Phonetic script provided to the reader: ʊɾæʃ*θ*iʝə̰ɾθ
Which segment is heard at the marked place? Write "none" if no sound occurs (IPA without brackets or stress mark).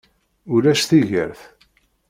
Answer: θ